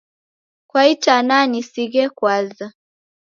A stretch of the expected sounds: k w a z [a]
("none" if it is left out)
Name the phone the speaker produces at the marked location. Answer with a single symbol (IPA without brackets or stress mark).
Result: a